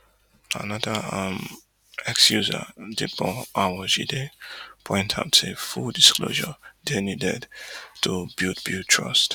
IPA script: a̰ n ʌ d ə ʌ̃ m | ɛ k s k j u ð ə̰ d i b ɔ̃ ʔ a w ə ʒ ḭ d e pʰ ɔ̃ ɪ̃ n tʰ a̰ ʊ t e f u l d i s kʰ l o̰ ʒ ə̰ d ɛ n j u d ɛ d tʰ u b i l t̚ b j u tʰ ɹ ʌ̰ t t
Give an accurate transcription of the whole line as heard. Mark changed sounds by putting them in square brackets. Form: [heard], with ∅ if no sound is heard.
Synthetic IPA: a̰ n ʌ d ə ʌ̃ m | ɛ k s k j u [z] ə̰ d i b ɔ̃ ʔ a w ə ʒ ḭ d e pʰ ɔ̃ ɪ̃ n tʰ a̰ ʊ t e f u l d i s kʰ l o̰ ʒ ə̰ d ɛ n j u d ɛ d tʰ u b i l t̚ b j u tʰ ɹ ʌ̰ [s] t